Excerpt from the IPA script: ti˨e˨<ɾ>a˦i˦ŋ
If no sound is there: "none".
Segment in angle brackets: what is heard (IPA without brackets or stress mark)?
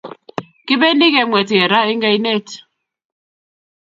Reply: ɾ